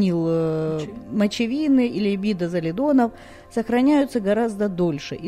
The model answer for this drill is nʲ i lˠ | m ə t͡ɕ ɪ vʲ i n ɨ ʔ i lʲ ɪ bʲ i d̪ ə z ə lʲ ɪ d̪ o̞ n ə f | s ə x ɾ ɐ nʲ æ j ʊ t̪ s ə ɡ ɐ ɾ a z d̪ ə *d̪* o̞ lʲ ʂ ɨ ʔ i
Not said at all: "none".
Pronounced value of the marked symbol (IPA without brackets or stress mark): d̪